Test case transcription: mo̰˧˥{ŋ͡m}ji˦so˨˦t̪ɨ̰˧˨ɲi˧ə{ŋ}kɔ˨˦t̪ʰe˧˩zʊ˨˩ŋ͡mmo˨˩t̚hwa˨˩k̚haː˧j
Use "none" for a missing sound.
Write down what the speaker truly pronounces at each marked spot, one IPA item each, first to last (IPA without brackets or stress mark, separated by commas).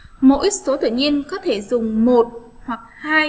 none, n